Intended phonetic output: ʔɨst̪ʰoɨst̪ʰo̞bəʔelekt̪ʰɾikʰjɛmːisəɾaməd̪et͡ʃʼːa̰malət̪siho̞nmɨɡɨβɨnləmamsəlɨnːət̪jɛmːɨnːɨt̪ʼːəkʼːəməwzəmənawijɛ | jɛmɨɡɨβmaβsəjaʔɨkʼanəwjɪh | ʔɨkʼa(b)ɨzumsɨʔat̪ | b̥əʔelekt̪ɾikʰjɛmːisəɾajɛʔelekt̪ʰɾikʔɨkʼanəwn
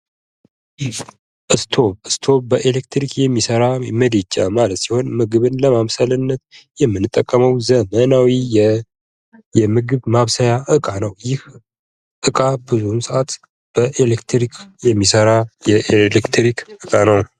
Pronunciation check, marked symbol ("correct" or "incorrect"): correct